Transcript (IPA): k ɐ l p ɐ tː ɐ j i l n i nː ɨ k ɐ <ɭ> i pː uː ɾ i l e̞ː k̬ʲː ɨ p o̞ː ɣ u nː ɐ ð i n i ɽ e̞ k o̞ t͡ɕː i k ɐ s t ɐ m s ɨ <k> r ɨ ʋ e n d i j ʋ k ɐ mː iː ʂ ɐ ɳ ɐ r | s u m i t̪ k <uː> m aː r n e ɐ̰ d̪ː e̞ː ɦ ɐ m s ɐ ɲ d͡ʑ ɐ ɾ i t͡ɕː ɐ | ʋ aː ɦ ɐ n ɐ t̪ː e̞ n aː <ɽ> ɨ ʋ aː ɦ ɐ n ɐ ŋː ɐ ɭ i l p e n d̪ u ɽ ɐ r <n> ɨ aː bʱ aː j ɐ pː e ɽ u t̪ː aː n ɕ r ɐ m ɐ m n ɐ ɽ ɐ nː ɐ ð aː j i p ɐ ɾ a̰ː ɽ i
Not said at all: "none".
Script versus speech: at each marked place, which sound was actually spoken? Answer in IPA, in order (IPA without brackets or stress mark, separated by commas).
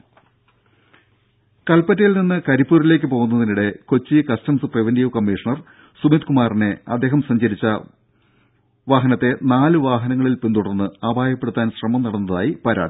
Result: ɾ, p, u, l, nː